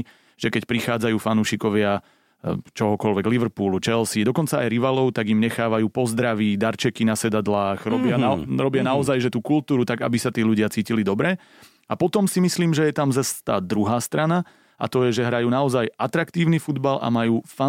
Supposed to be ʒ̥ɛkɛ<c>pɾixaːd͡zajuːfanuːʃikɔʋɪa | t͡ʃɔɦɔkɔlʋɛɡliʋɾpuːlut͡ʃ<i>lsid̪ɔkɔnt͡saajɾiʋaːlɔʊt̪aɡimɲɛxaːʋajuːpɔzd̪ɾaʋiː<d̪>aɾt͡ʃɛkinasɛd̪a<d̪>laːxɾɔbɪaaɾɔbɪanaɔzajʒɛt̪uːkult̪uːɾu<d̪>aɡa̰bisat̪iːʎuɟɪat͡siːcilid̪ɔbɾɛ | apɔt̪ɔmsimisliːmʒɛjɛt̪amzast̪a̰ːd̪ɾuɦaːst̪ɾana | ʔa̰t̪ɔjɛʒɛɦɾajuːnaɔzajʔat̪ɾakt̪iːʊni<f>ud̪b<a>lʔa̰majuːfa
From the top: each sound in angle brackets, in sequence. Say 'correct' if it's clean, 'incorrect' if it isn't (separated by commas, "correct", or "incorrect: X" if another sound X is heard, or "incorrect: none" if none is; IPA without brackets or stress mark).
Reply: correct, incorrect: ɛ, correct, correct, incorrect: t̪, correct, correct